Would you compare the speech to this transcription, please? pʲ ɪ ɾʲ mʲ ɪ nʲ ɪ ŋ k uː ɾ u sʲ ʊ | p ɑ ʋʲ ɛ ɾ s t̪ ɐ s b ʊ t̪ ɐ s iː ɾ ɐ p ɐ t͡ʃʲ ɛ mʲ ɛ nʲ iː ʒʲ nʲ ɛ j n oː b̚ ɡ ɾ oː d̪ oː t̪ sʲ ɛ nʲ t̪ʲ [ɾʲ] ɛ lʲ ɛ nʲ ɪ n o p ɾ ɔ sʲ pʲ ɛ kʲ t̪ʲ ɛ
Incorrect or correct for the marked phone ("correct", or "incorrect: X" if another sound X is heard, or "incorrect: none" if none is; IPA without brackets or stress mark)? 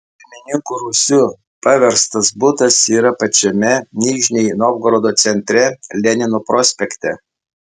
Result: correct